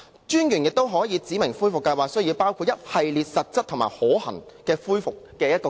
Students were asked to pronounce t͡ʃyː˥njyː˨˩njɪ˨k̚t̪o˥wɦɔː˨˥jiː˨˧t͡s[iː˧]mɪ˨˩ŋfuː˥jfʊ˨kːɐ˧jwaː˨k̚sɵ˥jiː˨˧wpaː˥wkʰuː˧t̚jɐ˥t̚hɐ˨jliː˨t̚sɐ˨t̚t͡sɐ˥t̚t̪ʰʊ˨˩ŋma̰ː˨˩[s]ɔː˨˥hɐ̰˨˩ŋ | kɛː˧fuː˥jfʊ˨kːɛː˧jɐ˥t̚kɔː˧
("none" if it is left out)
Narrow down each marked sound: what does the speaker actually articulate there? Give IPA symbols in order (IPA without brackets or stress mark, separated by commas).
iː˨˥, h